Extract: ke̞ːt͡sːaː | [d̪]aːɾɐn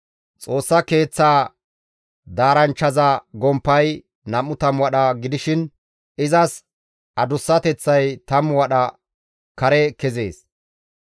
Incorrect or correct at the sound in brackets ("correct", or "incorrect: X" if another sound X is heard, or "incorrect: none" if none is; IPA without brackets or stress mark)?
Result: correct